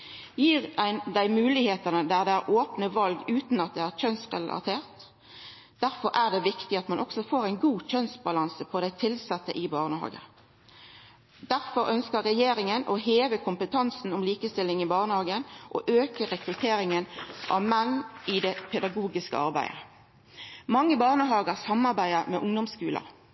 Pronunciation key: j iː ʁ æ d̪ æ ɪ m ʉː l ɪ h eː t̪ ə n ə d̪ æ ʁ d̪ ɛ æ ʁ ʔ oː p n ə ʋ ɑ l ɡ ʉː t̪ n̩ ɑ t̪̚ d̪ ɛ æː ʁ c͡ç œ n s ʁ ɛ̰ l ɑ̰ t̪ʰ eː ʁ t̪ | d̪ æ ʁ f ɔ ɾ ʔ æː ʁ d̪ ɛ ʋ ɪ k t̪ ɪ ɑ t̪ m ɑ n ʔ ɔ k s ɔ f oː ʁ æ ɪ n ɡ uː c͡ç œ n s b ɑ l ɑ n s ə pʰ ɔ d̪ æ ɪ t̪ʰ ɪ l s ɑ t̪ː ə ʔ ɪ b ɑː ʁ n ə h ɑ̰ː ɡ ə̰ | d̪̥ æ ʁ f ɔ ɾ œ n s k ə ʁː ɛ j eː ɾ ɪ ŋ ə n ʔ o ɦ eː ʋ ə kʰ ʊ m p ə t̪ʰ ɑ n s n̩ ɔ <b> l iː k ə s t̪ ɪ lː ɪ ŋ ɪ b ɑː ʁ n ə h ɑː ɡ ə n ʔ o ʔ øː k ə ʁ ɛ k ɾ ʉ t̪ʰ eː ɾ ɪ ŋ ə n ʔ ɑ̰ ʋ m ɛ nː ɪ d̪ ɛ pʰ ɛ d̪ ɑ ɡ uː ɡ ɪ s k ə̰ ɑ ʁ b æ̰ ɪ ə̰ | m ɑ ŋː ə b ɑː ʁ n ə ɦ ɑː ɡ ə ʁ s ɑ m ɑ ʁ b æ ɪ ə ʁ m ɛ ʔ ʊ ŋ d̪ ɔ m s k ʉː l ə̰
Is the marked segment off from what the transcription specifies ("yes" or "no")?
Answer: yes